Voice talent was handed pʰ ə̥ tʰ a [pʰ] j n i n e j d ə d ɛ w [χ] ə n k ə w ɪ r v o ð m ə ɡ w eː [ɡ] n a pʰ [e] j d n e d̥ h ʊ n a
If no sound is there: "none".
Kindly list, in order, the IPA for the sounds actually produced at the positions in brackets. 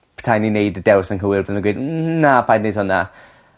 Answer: none, s, d, a

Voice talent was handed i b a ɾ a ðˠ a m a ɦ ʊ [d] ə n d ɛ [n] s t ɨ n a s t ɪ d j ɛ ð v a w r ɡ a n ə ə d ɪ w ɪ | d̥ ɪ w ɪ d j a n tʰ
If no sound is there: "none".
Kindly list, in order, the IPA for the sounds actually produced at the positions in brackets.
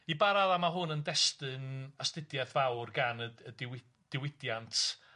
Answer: n, none

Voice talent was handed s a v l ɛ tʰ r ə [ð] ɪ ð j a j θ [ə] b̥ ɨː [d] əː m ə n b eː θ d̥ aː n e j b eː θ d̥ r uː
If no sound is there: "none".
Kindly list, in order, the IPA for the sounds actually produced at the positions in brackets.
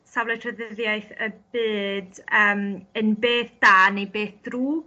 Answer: ð, ə, d

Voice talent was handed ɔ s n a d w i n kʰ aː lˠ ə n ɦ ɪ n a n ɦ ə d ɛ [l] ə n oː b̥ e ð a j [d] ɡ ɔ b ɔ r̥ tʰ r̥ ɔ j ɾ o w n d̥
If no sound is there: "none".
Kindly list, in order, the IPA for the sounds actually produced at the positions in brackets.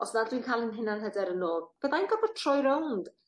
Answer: ɾ, n

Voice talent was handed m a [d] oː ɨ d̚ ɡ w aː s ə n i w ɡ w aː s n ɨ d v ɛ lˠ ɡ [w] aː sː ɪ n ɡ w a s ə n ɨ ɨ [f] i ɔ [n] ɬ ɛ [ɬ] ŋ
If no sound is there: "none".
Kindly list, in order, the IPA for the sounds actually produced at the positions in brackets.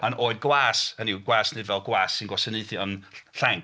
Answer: n, w, θ, n, none

